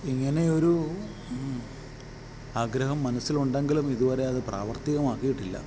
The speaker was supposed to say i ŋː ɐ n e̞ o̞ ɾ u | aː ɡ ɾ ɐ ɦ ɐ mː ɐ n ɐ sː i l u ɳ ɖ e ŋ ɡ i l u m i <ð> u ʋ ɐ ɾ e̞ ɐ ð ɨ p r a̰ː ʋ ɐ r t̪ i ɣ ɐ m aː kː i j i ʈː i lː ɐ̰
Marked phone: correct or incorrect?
correct